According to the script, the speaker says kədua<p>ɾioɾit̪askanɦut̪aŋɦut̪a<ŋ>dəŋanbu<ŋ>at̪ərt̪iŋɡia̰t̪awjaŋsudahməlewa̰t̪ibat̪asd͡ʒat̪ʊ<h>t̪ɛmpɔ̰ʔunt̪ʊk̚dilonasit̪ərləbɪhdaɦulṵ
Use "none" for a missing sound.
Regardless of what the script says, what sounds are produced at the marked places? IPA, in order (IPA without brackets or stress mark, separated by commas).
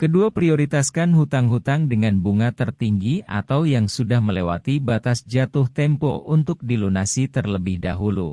p, ŋ, ŋ, h